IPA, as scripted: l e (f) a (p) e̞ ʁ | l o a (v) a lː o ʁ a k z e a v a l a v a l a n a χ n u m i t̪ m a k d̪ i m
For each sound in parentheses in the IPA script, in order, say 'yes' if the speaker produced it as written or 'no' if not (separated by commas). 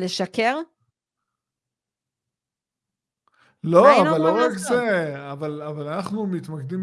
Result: no, no, yes